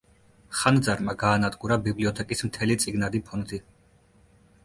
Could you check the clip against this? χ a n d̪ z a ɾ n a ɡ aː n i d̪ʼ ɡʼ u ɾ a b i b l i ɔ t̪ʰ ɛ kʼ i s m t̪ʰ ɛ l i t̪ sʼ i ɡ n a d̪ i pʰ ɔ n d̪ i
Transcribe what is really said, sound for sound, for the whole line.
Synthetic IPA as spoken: χ a n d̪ z a ɾ m a ɡ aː n a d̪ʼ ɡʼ u ɾ a b i b l i ɔ t̪ʰ ɛ kʼ i s m t̪ʰ ɛ l i t̪ sʼ i ɡ n a d̪ i pʰ ɔ n d̪ i